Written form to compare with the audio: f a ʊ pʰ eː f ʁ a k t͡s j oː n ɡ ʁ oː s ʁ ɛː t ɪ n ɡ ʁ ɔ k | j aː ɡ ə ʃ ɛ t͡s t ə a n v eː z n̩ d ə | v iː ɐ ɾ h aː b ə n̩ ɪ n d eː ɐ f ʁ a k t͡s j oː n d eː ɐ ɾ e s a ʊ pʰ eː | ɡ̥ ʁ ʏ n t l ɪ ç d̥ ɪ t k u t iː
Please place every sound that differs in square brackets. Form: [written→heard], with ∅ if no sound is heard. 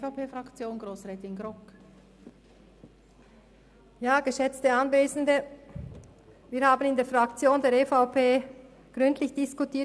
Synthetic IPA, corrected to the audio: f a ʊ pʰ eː f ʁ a k t͡s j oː n ɡ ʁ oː s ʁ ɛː t ɪ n ɡ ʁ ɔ k | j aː ɡ ə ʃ ɛ t͡s t ə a n v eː z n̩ d ə | v iː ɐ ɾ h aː b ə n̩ ɪ n d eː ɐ f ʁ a k t͡s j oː n d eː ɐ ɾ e [s→f] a ʊ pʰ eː | ɡ̥ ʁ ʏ n t l ɪ ç d̥ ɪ [t→s] k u t iː